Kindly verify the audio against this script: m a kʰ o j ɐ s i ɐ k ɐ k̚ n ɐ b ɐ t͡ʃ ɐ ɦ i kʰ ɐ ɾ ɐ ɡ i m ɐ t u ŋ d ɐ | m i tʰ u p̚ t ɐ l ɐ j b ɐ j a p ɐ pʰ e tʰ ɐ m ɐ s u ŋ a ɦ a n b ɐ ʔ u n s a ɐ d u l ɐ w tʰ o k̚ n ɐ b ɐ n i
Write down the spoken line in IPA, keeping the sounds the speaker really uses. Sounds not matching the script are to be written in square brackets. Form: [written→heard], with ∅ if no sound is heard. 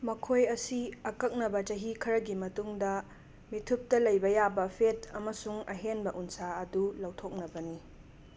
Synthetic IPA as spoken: m [a→ɐ] kʰ o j ɐ s i ɐ k ɐ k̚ n ɐ b ɐ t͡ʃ ɐ ɦ i kʰ ɐ ɾ ɐ ɡ i m ɐ t u ŋ d ɐ | m i tʰ u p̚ t ɐ l ɐ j b ɐ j a [p→b] ɐ pʰ e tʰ ɐ m ɐ s u ŋ [a→ɐ] ɦ [a→e] n b ɐ ʔ u n s a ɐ d u l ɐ w tʰ o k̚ n ɐ b ɐ n i